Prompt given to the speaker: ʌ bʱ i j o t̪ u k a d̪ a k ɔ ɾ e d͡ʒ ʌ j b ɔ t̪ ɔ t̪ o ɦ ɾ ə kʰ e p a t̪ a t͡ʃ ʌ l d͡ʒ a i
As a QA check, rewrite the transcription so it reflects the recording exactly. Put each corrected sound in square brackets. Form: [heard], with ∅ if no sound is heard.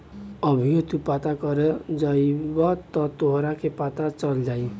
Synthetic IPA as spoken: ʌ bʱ i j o t̪ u [p] a [t̪] a k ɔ ɾ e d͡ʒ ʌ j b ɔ t̪ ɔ t̪ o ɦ ɾ [a] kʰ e p a t̪ a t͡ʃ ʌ l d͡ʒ a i